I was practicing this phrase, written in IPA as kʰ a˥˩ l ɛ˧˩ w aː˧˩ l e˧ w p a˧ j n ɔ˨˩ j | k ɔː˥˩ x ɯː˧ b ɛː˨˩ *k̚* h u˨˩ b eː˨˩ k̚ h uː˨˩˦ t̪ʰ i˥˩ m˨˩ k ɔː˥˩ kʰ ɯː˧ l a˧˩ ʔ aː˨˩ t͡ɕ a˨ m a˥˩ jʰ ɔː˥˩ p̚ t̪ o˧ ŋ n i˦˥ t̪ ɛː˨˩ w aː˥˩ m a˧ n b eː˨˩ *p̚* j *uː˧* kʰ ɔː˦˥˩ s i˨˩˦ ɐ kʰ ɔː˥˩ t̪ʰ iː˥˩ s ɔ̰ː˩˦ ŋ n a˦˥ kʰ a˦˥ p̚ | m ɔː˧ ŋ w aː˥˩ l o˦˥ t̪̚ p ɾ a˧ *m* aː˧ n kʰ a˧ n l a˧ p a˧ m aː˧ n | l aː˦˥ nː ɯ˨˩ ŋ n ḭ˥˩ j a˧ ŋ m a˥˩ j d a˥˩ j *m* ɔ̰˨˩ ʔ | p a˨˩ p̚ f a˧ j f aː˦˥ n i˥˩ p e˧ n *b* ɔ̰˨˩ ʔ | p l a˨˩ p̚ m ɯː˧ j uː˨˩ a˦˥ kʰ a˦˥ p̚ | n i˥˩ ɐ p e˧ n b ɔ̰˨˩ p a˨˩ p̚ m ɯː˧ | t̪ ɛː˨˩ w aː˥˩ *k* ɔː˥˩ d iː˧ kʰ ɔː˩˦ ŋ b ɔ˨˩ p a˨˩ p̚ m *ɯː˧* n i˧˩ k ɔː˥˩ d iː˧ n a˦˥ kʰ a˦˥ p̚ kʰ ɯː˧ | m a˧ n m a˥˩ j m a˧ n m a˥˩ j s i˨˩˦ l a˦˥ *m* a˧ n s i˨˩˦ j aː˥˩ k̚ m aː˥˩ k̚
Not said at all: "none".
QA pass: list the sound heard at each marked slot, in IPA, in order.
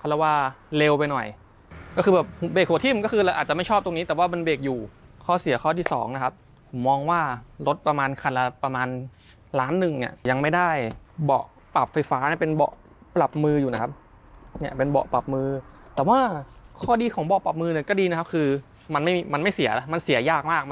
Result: p̚, k̚, uː˨˩, m, b, b, kʰ, ɯː˧, m

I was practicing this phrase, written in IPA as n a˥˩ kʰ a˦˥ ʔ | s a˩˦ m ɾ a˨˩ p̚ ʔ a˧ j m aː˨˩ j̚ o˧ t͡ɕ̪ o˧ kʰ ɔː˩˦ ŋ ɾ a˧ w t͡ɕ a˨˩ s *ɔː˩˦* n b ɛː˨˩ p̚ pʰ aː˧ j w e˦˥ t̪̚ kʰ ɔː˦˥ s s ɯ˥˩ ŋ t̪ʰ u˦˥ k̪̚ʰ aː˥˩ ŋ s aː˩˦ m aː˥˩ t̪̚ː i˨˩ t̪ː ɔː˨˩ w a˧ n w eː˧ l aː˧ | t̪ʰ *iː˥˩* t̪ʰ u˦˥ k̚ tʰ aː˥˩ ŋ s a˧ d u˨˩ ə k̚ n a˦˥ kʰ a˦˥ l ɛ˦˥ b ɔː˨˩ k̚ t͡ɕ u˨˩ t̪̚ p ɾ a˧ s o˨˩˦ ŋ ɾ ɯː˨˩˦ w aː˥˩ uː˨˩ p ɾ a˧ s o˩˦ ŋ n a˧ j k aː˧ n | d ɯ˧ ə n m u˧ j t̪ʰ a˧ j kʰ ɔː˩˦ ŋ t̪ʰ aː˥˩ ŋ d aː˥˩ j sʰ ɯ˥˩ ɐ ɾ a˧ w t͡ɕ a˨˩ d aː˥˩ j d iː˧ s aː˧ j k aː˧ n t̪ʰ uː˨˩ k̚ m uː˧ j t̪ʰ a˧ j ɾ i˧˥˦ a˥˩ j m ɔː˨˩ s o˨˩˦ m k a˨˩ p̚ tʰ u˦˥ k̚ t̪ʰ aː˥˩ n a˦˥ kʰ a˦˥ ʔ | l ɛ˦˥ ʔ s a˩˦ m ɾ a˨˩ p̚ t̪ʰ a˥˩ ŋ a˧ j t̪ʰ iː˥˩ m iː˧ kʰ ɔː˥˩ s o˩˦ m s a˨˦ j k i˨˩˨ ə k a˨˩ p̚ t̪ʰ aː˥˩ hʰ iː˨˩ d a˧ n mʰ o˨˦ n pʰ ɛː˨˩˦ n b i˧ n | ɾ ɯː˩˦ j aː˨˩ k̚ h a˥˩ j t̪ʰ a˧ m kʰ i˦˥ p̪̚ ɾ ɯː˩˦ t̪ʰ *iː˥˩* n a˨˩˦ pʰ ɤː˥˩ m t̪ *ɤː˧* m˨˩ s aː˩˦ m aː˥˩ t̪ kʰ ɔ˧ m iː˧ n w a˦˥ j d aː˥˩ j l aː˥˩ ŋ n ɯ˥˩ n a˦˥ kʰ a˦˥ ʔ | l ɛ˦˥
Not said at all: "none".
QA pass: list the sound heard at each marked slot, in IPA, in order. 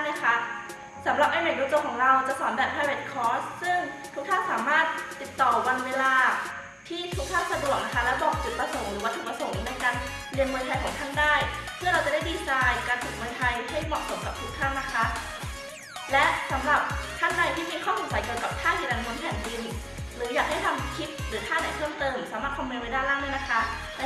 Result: ɔː˩˦, iː˥˩, aː˥˩, ɤː˧

